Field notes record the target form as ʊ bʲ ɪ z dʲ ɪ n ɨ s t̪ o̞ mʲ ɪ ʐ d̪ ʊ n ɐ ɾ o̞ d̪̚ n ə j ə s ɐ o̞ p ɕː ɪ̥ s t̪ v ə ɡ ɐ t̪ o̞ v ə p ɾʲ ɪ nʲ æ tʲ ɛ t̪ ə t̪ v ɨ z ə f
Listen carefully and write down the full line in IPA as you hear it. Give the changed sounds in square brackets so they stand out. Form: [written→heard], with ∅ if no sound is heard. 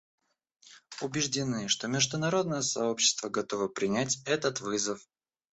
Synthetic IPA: ʊ bʲ ɪ [z→ʐ] dʲ ɪ n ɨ [s→ʂ] t̪ o̞ mʲ ɪ ʐ d̪ ʊ n ɐ ɾ o̞ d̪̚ n ə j ə s ɐ o̞ p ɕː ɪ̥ s t̪ v ə ɡ ɐ t̪ o̞ v ə p ɾʲ ɪ nʲ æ tʲ ɛ t̪ ə t̪ v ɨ z ə f